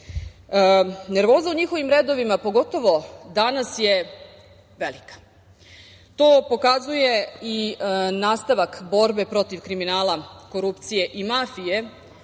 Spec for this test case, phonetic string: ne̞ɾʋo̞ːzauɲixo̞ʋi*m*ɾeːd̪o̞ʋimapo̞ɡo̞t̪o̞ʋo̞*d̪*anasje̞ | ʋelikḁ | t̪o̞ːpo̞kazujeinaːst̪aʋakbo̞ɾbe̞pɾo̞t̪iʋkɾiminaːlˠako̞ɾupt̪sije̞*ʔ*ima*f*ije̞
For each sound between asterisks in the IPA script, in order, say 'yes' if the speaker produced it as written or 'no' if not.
yes, yes, yes, yes

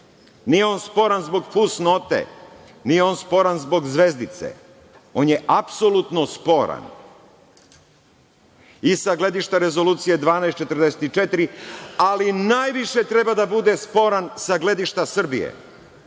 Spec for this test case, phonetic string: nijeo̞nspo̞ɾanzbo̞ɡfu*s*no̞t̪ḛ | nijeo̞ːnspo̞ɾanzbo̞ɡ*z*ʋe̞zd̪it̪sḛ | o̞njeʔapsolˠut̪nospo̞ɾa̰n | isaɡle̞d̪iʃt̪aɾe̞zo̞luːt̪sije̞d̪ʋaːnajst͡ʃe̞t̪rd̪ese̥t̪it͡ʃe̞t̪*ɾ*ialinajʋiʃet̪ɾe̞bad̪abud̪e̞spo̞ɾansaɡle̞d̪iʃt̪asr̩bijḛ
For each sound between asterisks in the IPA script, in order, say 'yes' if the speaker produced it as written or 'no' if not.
yes, yes, yes

